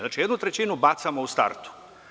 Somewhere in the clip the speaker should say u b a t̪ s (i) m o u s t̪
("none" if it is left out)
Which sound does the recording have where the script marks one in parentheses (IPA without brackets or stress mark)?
a